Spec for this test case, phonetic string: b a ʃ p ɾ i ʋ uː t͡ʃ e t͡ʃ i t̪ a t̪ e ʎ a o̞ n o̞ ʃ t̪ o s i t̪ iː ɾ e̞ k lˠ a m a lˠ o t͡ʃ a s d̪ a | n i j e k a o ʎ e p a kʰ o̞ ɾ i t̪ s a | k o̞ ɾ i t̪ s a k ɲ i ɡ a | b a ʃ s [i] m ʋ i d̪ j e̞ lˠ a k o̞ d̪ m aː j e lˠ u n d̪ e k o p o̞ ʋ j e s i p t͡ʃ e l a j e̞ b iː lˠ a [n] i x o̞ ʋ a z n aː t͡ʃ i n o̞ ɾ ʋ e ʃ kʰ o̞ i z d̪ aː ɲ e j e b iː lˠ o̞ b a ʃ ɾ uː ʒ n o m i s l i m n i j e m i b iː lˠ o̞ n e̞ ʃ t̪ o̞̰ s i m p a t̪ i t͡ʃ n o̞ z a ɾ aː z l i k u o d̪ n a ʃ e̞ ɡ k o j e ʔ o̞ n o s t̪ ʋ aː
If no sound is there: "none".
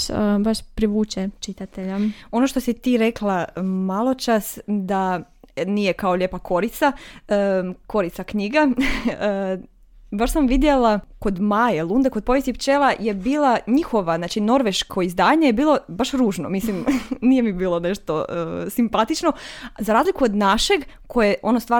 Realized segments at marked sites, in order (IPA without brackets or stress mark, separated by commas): a, ɲ